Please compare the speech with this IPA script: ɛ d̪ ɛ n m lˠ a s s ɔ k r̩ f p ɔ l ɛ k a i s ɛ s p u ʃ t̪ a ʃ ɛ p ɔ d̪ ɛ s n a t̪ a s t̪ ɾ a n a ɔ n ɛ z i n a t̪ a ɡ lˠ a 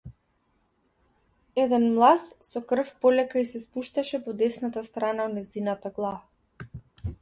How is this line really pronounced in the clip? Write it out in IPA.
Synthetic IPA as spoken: ɛ d̪ ɛ n m lˠ a s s ɔ k r̩ f p ɔ l ɛ k a i s ɛ s p u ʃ t̪ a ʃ ɛ p ɔ d̪ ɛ s n a t̪ a s t̪ ɾ a n a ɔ n ɛ z i n a t̪ a ɡ lˠ a